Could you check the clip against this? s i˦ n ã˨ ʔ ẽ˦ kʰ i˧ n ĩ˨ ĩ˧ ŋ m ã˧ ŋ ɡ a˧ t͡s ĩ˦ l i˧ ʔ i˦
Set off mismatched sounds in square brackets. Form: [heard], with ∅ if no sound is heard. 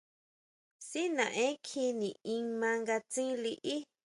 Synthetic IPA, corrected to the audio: s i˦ n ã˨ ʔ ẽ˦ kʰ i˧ n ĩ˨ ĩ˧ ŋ m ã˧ ŋ ɡ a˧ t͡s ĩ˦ l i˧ ʔ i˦